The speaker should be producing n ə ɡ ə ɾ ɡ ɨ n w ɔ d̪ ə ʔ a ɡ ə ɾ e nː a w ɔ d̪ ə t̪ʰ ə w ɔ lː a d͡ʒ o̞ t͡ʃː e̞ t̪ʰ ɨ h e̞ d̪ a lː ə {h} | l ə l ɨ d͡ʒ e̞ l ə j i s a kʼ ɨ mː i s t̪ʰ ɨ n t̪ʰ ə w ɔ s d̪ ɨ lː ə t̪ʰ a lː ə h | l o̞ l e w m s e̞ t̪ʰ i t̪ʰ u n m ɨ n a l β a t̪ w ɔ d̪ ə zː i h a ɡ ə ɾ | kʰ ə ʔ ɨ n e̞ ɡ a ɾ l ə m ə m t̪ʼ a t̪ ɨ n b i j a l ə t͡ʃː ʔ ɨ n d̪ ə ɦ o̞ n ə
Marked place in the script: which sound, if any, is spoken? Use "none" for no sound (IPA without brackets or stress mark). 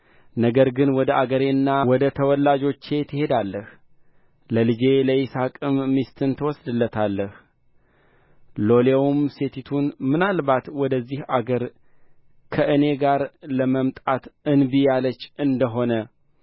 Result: h